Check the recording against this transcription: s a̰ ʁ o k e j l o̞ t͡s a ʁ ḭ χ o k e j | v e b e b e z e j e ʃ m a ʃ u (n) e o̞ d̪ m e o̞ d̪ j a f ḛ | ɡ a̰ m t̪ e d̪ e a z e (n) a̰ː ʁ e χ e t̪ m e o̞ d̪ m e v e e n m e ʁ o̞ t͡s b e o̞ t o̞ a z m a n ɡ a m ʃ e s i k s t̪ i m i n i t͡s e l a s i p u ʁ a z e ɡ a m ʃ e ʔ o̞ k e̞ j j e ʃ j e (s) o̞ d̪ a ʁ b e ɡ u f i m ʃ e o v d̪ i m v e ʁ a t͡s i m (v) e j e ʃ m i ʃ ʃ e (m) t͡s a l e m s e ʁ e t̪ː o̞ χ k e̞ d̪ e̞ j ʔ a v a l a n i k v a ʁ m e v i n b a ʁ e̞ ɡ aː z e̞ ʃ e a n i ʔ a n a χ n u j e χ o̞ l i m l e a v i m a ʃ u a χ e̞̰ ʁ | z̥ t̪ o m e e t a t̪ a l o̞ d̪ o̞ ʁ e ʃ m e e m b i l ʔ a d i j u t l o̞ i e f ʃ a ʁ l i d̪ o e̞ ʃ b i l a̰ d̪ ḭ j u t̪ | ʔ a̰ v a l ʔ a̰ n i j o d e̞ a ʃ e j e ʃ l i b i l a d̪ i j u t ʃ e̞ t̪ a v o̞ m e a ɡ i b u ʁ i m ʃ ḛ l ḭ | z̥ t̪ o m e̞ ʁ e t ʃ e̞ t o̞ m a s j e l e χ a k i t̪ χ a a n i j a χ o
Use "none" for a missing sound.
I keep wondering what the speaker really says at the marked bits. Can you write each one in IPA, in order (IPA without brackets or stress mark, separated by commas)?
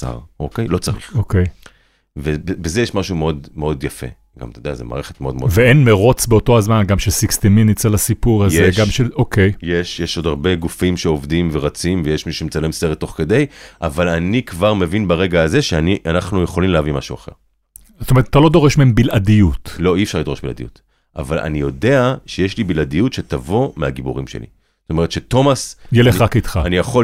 m, m, ʃ, v, m